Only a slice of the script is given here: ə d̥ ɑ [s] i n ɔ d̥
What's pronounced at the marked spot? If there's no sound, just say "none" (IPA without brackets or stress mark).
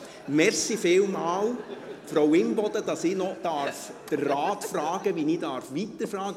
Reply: s